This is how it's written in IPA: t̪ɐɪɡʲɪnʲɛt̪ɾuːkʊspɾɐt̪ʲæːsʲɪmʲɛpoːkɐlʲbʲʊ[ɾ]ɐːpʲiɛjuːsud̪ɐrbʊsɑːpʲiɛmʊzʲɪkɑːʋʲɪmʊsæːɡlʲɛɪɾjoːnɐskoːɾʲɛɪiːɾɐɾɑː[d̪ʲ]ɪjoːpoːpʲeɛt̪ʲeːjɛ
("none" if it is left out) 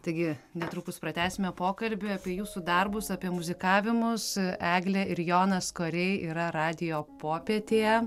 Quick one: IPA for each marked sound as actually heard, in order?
none, d̪ʲ

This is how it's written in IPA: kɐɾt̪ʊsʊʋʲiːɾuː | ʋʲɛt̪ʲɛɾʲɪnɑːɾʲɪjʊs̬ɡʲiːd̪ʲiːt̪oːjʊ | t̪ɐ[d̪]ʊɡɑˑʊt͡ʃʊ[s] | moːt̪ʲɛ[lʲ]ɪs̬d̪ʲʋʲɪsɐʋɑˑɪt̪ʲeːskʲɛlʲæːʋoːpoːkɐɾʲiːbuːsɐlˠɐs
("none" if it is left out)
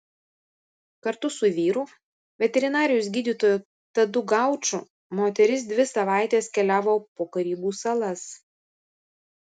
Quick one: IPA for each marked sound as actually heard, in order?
d̪, none, ɾʲ

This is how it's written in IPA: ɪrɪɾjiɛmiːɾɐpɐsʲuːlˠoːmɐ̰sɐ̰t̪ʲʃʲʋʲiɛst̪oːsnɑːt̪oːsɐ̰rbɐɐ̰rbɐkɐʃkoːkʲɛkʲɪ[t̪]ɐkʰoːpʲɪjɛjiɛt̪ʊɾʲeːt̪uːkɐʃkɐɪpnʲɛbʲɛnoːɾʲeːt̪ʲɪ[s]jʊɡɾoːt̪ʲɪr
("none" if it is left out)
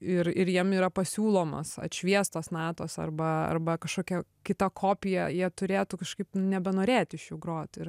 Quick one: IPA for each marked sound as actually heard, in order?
t̪, ʃ

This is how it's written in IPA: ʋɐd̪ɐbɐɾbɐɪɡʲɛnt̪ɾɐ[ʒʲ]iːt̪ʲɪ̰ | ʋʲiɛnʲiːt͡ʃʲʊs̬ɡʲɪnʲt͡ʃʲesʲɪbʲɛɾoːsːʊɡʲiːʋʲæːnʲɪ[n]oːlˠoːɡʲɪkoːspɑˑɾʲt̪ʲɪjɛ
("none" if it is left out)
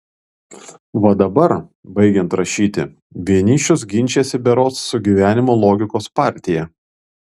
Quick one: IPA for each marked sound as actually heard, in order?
ʃʲ, m

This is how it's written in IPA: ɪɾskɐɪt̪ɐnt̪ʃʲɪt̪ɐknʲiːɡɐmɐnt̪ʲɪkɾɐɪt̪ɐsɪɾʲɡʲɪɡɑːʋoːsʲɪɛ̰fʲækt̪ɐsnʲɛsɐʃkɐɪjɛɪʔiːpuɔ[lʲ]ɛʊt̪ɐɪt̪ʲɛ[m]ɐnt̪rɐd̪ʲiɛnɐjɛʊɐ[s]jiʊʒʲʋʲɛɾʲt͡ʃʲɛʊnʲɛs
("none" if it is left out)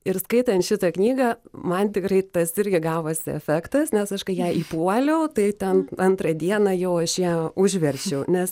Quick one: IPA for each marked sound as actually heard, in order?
lʲ, n, ʃ

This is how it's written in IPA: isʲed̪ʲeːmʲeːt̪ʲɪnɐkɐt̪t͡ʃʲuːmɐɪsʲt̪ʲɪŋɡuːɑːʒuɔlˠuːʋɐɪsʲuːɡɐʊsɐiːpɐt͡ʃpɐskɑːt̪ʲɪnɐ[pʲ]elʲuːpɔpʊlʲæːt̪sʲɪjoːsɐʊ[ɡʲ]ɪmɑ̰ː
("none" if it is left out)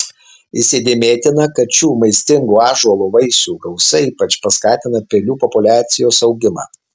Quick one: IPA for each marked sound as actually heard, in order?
pʲ, ɡʲ

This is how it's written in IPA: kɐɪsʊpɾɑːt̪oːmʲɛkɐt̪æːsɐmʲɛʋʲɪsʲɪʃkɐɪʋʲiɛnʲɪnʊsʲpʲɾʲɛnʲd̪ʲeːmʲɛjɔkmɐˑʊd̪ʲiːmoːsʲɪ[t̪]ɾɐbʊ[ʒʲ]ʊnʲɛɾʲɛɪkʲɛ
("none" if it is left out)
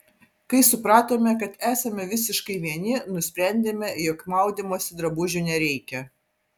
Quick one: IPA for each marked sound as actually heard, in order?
d̪, ʒʲ

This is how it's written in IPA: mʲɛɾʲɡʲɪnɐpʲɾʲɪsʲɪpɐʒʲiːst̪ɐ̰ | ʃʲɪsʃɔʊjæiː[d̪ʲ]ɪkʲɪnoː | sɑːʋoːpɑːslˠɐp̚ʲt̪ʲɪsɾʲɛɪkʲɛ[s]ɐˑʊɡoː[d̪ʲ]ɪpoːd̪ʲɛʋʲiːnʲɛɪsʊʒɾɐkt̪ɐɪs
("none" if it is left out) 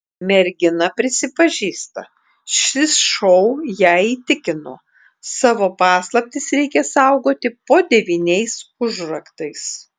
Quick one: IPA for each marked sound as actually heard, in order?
t̪ʲ, s, t̪ʲ

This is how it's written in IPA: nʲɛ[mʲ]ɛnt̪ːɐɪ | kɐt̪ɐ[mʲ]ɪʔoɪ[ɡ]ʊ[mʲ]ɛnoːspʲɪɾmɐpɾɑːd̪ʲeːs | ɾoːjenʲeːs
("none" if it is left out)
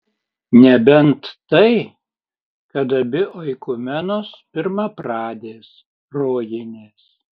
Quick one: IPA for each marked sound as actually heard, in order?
bʲ, bʲ, k, mʲ

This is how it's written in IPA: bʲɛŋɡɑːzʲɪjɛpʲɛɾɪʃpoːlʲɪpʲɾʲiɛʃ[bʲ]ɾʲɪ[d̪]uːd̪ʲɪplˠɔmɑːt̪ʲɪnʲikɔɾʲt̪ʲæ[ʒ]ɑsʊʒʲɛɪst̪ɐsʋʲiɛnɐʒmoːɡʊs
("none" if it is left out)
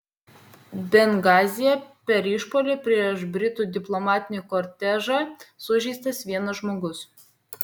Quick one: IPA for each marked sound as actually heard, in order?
bʲ, t̪, ʒ

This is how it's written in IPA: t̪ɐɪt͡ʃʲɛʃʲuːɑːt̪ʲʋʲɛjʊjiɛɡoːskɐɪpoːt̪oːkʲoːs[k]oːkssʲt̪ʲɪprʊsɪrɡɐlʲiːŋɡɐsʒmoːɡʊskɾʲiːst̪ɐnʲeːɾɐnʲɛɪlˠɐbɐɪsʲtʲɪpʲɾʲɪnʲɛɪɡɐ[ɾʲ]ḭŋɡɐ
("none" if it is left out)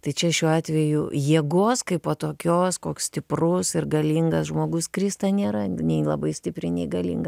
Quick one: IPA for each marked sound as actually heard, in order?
k, lʲ

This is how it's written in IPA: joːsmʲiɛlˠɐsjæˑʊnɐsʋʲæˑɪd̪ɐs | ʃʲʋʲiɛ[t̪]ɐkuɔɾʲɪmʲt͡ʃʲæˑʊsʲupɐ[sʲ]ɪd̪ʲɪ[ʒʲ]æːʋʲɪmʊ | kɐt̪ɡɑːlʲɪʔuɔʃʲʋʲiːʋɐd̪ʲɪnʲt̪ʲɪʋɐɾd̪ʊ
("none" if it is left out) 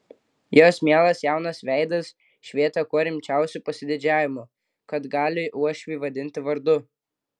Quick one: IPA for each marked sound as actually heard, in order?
t̪, sʲ, d͡ʒʲ

